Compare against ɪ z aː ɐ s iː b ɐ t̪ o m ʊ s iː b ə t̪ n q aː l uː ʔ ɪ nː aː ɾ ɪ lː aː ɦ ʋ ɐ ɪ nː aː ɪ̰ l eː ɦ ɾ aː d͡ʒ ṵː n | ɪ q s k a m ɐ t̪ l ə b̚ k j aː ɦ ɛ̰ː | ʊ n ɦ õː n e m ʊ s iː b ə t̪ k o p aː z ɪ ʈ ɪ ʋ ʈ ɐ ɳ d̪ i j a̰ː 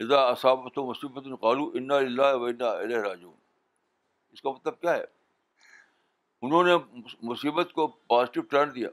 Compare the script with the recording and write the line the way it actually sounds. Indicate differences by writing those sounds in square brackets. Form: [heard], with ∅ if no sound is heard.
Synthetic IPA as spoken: ɪ z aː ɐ s [aː] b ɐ t̪ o m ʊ s iː b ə t̪ n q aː l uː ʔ ɪ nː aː [l] ɪ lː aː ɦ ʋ ɐ ɪ nː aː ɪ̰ l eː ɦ ɾ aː d͡ʒ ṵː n | ɪ [∅] s k a m ɐ t̪ l ə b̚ k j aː ɦ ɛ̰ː | ʊ n ɦ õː n e m ʊ s iː b ə t̪ k o p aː z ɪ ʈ ɪ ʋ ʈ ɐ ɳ d̪ i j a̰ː